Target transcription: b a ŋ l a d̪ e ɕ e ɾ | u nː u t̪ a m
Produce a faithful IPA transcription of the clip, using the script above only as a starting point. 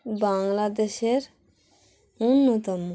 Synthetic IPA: b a ŋ l a d̪ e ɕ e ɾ | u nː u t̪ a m